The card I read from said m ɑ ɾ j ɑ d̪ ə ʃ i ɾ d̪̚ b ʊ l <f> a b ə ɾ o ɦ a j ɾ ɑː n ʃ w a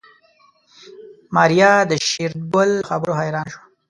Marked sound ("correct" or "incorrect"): incorrect